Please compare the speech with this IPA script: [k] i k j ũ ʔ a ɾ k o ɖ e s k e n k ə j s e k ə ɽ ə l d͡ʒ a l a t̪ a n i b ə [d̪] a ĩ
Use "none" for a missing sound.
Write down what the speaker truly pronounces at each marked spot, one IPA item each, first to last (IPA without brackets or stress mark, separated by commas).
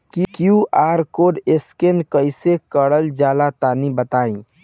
k, t̪